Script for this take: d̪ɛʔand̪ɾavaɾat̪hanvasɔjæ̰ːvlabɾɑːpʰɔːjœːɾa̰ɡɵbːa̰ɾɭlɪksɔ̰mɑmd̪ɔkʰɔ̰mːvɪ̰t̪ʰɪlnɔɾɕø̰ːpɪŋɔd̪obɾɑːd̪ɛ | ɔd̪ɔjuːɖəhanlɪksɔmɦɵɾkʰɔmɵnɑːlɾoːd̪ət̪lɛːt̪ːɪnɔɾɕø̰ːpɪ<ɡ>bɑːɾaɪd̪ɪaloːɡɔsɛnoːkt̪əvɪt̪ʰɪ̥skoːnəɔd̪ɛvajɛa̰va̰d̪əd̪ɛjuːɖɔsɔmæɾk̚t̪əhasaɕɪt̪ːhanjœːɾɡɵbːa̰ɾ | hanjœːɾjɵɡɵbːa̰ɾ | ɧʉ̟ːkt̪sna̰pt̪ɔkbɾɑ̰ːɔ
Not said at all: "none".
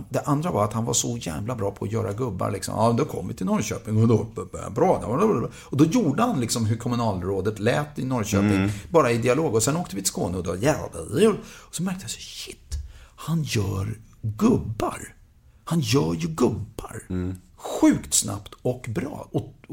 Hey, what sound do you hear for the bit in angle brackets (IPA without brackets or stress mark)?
ŋ